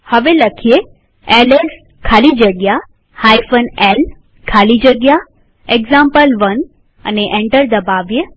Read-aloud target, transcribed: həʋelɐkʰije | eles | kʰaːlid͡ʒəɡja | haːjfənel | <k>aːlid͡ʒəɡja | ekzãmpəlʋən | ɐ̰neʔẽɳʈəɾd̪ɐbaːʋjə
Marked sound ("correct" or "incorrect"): incorrect